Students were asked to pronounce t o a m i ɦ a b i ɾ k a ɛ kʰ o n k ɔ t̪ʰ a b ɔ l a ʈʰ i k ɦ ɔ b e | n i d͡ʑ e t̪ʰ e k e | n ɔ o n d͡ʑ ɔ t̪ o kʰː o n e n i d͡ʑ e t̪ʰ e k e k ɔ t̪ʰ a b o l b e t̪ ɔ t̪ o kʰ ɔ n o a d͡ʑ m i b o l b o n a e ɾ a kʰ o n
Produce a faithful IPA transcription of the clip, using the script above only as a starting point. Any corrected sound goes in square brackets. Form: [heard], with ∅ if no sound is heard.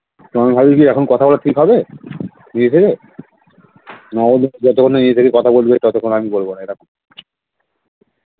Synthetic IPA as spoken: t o a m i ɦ a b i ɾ k [i] ɛ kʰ o n k ɔ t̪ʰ a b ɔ l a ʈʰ i k ɦ ɔ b e | n i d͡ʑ e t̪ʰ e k e | n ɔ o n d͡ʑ ɔ t̪ o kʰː o n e n i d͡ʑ e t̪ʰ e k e k ɔ t̪ʰ a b o l b e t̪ ɔ t̪ o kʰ [o] n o a [∅] m i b o l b o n a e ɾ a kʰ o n